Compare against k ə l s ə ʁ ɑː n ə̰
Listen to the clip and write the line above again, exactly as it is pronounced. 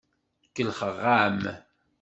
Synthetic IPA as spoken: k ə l χ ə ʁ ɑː m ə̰